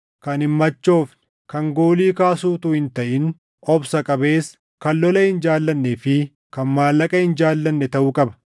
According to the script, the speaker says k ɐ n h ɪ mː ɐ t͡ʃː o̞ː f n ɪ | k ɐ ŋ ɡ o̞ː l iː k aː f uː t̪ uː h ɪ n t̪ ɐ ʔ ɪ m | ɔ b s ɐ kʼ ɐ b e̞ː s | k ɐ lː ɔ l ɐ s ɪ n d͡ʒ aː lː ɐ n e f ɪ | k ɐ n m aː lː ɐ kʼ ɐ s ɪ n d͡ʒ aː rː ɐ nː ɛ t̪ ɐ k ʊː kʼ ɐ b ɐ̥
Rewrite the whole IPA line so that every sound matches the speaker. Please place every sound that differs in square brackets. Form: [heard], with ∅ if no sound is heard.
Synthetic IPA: k ɐ n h ɪ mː ɐ t͡ʃː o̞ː f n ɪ | k ɐ ŋ ɡ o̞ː l iː k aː [s] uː t̪ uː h ɪ n t̪ ɐ ʔ ɪ [n] | ɔ b s ɐ kʼ ɐ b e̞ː s | k ɐ lː ɔ l ɐ [h] ɪ n d͡ʒ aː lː ɐ [nː] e f ɪ | k ɐ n m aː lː ɐ kʼ ɐ [h] ɪ n d͡ʒ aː [lː] ɐ nː ɛ t̪ ɐ [ʔ] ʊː kʼ ɐ b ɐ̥